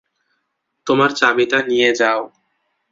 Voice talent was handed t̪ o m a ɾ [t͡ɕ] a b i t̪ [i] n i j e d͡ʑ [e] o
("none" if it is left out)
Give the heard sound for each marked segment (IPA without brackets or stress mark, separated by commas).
t͡ɕ, a, a